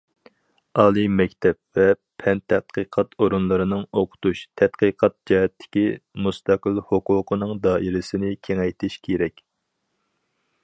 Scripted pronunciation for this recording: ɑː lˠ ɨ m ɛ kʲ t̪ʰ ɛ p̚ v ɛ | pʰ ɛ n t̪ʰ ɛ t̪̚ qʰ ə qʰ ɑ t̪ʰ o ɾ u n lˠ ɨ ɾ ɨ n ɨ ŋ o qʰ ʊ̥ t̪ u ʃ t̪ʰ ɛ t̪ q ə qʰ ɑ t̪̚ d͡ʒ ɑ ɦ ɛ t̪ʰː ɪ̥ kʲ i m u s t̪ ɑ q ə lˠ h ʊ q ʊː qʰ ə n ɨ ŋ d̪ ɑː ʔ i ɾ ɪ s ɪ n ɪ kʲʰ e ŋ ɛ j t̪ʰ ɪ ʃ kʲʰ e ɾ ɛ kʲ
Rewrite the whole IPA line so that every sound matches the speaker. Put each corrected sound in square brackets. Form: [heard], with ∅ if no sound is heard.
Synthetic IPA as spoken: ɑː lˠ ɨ m ɛ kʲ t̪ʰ ɛ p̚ v ɛ | pʰ ɛ n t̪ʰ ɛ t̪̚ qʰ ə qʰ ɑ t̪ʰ o ɾ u n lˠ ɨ ɾ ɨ n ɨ ŋ o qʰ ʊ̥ t̪ u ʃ t̪ʰ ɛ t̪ q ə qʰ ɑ t̪̚ d͡ʒ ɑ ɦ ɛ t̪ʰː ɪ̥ kʲ i m u s t̪ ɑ q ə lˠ h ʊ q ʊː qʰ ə n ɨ ŋ d̪ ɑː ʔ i ɾ ɪ s ɪ n ɪ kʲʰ e ŋ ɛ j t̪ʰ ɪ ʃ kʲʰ e ɾ ɛ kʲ